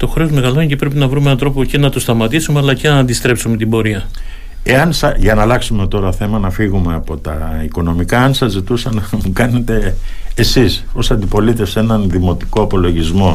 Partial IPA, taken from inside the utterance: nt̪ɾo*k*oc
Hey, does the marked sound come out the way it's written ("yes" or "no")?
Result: no